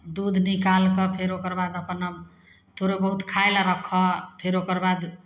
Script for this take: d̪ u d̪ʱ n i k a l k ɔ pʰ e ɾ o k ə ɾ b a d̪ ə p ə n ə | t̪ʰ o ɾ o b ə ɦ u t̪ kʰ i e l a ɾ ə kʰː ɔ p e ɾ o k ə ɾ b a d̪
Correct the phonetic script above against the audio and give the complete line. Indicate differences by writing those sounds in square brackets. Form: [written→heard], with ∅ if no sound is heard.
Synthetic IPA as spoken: d̪ u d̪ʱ n i k a l k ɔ pʰ e ɾ o k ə ɾ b a d̪ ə p ə n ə | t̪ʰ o ɾ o b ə ɦ u t̪ kʰ [i→a] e l a ɾ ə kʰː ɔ [p→pʰ] e ɾ o k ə ɾ b a d̪